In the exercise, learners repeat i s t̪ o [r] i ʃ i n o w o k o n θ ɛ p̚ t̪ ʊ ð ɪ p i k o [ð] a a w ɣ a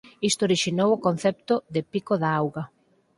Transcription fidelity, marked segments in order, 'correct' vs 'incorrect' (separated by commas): incorrect, correct